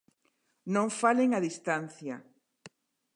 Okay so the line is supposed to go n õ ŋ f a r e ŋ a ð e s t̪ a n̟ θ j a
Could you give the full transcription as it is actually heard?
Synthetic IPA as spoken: n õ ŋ f a l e ŋ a ð i s t̪ a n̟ θ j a